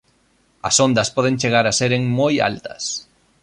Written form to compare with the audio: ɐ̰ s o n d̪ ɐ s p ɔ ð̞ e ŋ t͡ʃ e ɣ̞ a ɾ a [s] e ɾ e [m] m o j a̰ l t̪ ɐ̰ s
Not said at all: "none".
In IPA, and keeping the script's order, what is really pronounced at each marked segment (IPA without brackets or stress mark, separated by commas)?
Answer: s, ŋ